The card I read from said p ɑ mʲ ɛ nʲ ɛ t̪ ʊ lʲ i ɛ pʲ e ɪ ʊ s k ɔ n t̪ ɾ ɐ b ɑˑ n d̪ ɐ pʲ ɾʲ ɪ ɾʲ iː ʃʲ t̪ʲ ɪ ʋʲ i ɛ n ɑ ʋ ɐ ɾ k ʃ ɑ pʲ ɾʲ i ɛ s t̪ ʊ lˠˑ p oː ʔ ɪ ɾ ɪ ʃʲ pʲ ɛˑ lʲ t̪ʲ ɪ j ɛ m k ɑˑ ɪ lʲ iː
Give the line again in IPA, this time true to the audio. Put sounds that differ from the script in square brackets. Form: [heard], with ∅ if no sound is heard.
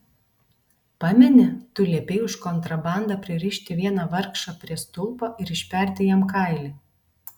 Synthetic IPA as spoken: p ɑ mʲ ɛ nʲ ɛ t̪ ʊ lʲ i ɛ pʲ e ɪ ʊ [ʃ] k ɔ n t̪ ɾ ɐ b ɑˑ n d̪ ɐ pʲ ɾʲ ɪ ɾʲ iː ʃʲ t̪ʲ ɪ ʋʲ i ɛ n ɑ ʋ ɐ ɾ k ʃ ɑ pʲ ɾʲ i ɛ s t̪ ʊ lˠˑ p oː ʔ ɪ ɾ ɪ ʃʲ pʲ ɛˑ [ɾʲ] t̪ʲ ɪ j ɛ m k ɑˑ ɪ lʲ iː